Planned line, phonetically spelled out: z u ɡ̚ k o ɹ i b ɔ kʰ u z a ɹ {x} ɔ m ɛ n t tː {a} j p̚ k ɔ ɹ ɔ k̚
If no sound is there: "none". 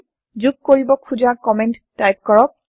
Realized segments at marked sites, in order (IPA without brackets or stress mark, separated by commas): k, a